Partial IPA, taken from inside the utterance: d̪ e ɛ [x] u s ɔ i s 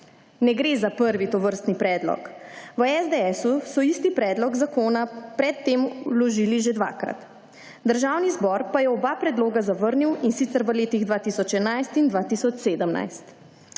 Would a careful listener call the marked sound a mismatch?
yes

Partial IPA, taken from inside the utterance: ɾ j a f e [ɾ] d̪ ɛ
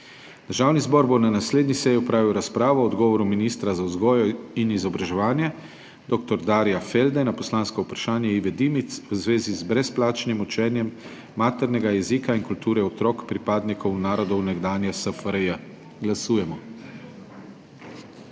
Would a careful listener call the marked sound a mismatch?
yes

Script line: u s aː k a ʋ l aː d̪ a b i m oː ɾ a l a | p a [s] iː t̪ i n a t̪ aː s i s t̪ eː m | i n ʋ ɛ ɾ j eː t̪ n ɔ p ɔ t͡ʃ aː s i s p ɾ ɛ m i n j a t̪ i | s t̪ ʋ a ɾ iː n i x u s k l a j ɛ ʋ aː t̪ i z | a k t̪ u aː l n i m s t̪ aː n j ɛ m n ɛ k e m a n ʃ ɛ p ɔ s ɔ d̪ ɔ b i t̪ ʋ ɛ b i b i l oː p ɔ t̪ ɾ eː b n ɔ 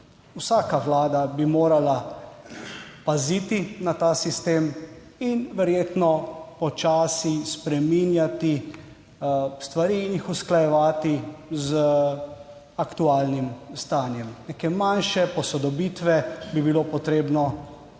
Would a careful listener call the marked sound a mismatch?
yes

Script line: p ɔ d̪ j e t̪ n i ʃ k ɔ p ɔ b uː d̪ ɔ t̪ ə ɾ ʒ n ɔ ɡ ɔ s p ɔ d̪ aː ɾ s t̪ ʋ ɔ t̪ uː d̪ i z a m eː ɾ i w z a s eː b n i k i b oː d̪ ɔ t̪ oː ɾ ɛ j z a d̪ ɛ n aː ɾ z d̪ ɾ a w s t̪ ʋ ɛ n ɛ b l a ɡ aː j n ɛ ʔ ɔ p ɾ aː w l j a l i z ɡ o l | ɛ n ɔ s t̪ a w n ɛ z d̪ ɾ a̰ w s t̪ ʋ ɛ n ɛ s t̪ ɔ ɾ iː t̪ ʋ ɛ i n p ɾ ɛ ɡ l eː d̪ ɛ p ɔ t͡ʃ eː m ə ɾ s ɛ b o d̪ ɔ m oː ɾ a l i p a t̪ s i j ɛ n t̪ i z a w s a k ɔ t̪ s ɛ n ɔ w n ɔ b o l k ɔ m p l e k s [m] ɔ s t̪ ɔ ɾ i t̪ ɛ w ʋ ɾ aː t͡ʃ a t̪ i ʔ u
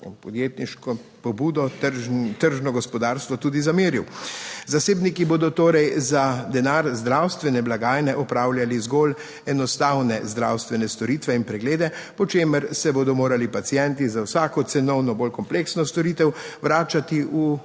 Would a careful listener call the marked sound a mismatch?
yes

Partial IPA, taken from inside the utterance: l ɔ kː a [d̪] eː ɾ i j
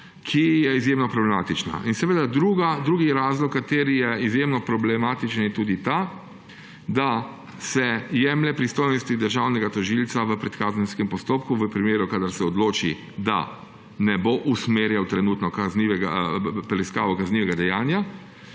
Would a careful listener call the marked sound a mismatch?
yes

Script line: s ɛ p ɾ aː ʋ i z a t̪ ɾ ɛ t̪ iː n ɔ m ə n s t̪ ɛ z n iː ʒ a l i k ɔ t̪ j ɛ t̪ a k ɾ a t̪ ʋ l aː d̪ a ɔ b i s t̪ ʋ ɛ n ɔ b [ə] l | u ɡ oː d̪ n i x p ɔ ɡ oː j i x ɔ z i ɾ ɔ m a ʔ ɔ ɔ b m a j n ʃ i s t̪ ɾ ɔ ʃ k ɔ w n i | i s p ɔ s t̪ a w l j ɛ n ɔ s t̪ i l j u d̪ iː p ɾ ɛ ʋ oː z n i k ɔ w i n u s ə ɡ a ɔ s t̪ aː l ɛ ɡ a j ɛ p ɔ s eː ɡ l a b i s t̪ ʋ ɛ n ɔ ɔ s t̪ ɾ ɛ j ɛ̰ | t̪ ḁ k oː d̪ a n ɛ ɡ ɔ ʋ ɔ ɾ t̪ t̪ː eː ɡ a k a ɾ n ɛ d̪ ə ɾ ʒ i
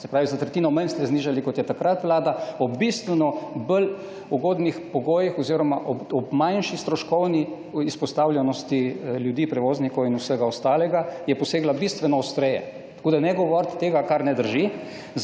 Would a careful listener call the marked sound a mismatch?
no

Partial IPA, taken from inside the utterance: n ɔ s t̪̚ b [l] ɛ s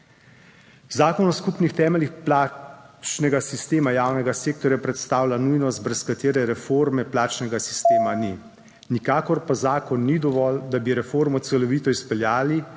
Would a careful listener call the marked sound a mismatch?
yes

